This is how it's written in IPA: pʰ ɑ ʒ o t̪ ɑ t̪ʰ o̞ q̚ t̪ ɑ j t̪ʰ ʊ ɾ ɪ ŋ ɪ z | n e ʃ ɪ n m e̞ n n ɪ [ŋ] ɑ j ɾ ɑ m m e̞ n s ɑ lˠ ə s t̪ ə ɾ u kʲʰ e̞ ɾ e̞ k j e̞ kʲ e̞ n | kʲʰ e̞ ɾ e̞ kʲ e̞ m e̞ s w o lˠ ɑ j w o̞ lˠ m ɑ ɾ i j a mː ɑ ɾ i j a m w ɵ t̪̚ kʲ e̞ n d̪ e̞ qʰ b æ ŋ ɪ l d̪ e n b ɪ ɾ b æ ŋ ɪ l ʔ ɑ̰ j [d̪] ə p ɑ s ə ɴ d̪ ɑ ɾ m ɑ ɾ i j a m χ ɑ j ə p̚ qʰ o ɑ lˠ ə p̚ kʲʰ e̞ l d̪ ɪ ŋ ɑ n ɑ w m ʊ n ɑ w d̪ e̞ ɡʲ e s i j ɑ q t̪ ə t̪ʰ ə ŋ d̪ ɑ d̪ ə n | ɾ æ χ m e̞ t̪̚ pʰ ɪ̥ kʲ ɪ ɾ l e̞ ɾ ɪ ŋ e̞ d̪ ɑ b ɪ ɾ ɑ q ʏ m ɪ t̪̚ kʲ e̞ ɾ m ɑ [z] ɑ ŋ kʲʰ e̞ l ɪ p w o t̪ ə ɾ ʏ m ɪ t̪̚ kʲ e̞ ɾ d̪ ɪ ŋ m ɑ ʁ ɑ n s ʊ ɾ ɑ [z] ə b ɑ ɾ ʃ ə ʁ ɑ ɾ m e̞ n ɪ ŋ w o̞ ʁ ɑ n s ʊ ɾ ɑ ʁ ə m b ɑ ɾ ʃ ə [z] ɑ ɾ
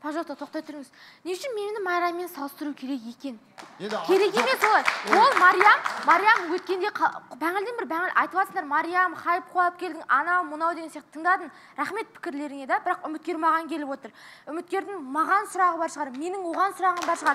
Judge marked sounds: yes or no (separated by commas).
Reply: no, no, no, no, no